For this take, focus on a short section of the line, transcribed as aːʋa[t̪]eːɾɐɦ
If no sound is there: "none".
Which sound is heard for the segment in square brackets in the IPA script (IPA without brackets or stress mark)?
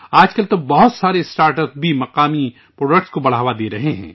d̪